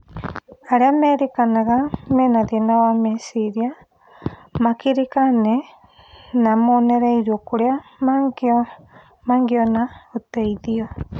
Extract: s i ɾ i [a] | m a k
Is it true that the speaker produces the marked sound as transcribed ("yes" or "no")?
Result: yes